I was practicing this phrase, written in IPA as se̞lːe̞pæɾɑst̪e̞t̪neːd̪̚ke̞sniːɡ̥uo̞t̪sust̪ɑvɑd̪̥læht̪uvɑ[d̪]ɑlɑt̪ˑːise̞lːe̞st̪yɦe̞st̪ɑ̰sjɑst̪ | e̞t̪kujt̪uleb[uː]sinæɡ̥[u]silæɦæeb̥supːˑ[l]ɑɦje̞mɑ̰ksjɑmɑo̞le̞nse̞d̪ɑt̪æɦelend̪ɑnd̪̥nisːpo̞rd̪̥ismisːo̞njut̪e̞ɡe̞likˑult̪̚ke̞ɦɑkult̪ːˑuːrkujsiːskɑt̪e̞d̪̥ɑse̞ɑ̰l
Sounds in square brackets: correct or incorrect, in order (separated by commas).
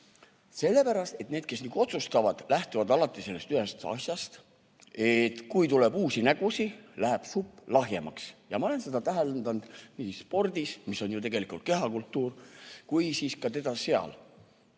correct, correct, correct, correct